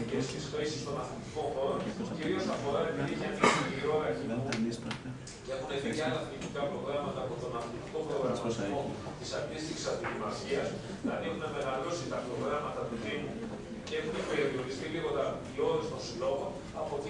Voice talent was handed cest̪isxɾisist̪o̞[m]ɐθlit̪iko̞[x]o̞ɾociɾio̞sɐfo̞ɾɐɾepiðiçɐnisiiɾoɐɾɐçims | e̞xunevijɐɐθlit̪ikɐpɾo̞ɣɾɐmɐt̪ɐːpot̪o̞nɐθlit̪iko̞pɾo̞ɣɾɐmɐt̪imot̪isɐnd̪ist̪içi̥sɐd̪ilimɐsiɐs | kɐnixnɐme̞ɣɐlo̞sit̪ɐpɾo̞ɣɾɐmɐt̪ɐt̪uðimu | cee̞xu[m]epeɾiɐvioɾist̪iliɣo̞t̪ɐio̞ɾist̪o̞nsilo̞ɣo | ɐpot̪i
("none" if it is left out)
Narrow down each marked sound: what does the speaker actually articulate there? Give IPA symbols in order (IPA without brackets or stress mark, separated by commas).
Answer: n, x, n